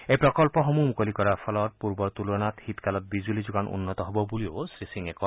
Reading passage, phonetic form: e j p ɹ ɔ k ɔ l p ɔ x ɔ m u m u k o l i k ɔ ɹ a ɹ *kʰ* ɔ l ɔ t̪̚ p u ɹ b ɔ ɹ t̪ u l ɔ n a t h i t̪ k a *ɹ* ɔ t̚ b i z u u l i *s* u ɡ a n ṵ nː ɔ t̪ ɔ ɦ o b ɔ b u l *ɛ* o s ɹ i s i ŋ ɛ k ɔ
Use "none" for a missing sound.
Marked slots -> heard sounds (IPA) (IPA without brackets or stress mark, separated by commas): pʰ, l, z, i